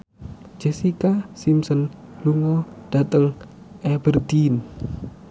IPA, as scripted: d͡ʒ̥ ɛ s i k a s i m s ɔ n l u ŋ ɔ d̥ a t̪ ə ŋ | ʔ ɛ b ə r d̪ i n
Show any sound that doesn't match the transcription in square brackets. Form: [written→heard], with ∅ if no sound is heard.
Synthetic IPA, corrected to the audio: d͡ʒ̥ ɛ s i k a s i m s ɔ n l u ŋ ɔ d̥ a t̪ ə ŋ | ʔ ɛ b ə r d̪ i n